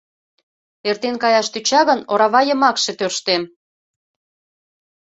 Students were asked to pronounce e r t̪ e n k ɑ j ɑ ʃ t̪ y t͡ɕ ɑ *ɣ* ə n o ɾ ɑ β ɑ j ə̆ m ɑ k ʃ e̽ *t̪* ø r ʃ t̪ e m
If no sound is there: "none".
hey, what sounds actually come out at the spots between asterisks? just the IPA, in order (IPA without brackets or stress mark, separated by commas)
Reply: ɣ, t̪